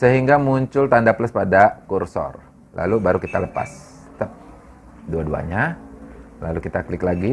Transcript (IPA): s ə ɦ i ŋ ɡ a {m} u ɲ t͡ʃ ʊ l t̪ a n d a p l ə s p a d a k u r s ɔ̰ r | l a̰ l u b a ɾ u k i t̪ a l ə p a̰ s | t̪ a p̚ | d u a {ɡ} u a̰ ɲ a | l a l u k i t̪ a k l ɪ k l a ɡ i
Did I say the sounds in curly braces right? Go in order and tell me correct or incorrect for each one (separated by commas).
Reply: correct, incorrect